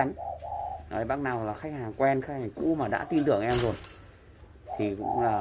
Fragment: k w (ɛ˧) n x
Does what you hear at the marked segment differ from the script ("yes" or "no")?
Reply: no